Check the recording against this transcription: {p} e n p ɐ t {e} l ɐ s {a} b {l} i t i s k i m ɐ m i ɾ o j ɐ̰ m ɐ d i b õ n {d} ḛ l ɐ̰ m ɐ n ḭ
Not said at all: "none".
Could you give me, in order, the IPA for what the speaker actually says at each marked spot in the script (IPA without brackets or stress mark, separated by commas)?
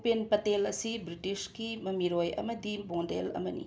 p, e, i, ɾ, d